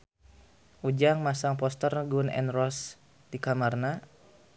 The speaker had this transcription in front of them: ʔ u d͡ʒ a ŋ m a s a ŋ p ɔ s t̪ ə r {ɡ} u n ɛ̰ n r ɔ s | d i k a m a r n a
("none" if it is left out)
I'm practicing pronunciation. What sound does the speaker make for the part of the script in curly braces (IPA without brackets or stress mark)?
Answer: ɡ